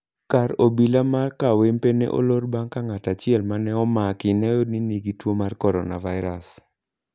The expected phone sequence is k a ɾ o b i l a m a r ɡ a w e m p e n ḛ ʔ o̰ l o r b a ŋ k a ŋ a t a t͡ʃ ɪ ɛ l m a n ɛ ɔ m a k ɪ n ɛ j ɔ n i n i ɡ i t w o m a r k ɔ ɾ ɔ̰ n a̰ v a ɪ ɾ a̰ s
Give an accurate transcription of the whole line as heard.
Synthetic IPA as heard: k a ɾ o b i l a m a r k a w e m p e n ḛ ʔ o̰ l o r b a ŋ k a ŋ a t a t͡ʃ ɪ ɛ l m a n ɛ ɔ m a k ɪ n ɛ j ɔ n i n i ɡ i t w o m a r k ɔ ɾ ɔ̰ n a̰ v a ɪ ɾ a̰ s